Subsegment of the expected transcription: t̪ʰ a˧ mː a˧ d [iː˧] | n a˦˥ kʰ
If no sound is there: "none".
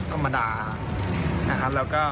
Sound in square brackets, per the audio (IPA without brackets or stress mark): aː˧